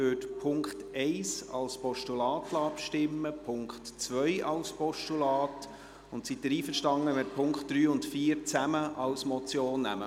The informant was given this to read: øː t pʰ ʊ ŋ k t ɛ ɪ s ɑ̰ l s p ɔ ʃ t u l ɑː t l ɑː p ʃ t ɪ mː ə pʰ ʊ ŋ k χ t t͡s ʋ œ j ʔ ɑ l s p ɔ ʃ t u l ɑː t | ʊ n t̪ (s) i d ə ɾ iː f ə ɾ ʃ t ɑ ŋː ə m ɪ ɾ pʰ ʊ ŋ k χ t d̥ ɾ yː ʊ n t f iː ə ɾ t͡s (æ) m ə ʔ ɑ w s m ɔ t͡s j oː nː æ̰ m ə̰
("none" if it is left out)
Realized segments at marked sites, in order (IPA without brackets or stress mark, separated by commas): s, æ